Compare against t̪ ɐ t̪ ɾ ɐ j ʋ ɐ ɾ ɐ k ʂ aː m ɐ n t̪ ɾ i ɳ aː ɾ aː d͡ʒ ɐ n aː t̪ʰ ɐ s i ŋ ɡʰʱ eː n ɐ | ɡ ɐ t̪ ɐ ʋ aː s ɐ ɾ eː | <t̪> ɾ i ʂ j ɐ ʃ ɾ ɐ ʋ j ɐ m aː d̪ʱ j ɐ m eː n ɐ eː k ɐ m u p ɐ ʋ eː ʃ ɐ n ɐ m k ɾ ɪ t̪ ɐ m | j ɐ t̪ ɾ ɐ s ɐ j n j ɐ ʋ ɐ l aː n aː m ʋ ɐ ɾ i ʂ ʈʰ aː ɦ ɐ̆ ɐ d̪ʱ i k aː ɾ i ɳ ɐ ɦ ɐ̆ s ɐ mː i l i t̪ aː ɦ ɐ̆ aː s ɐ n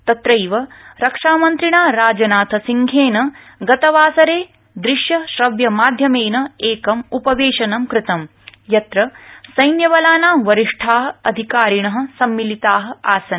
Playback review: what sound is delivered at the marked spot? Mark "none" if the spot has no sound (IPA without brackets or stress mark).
d̪